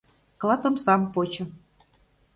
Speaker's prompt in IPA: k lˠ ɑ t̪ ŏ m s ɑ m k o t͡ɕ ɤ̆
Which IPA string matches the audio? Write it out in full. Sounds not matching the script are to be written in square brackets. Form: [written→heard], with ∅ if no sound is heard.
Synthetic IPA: k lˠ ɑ t̪ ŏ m s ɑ m [k→p] o t͡ɕ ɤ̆